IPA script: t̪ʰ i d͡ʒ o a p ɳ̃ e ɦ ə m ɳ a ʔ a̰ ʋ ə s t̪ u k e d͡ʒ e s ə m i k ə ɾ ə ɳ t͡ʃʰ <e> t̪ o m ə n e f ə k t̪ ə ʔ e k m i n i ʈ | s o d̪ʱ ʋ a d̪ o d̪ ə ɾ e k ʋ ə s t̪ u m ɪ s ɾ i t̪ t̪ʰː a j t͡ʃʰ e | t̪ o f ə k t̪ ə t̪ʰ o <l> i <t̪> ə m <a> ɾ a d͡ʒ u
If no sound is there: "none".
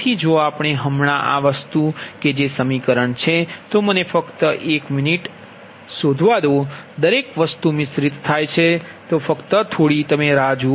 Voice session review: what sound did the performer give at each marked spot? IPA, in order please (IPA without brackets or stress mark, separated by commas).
e, ɽ, t̪, e